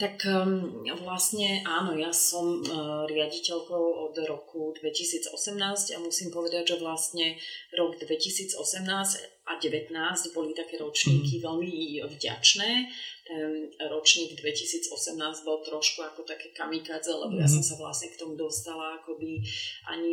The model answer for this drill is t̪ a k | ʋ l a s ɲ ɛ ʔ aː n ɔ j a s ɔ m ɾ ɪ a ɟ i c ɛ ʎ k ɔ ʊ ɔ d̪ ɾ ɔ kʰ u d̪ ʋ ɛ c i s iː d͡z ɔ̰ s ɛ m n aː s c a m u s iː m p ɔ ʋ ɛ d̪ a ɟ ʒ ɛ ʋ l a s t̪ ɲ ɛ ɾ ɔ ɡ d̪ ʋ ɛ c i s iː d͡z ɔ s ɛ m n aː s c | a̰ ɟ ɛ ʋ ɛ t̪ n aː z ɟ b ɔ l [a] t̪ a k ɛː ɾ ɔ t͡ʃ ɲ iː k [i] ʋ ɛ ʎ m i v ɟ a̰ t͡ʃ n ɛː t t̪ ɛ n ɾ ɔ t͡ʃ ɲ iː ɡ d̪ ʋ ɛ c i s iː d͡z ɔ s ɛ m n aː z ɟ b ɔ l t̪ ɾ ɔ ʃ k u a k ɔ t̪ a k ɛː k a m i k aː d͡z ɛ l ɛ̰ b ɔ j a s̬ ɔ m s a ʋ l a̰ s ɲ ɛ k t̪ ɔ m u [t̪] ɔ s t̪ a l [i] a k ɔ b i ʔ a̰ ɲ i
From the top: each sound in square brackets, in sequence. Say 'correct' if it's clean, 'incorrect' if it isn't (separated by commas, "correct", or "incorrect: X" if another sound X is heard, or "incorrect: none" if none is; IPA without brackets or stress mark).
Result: incorrect: i, correct, incorrect: d̪, incorrect: a